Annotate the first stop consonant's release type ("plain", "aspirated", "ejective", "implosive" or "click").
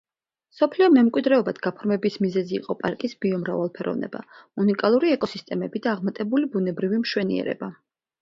aspirated